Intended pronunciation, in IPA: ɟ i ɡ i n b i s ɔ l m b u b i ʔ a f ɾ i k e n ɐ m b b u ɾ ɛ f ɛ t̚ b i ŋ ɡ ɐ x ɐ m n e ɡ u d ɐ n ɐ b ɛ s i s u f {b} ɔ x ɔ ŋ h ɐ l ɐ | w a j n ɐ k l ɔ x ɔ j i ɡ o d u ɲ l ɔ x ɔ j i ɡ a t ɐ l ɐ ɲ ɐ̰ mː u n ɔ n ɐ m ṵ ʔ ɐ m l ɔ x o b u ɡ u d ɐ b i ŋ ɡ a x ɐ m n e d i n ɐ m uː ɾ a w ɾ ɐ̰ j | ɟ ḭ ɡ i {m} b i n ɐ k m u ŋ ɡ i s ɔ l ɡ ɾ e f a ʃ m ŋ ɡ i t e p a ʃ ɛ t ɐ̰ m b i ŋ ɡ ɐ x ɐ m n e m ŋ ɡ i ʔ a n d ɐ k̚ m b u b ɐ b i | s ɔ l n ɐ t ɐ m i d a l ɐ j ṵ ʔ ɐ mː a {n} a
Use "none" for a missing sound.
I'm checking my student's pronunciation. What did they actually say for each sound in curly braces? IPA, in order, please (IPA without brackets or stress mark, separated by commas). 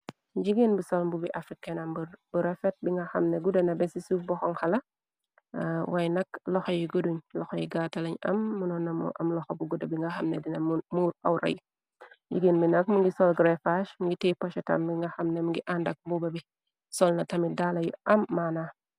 b, n, n